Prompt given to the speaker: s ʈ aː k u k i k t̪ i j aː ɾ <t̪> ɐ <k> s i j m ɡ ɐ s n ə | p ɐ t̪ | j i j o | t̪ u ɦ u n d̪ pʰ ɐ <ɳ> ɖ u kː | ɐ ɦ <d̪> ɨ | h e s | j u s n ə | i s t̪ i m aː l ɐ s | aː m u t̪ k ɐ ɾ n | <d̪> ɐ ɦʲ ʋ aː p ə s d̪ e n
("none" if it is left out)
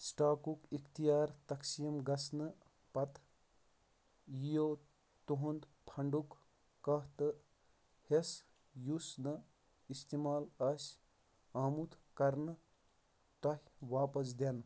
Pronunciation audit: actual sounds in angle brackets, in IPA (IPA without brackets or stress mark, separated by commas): t̪, k, ɳ, t̪, t̪